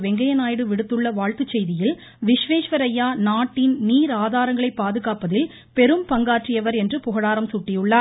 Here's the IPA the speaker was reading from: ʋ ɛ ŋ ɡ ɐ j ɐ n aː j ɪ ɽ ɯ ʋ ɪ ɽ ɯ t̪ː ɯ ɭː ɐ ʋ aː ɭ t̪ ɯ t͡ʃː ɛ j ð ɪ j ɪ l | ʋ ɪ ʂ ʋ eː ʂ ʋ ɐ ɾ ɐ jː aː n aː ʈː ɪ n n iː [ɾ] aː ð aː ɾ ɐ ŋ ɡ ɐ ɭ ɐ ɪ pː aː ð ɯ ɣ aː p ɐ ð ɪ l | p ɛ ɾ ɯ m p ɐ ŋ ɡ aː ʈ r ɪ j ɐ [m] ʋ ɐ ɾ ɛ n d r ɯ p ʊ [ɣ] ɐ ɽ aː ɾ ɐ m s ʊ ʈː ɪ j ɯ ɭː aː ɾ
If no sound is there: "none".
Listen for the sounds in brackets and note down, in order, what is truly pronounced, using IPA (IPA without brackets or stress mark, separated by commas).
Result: ɾ, none, ɣ